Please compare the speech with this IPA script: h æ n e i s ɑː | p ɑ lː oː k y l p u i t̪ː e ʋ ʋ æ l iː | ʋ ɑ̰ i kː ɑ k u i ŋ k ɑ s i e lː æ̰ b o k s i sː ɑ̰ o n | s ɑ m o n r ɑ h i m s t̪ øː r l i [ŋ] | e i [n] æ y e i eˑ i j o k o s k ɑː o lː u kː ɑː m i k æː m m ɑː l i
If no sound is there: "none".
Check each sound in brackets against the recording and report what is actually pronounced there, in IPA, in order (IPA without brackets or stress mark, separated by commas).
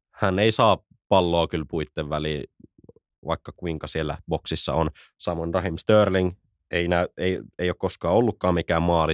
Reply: ŋ, n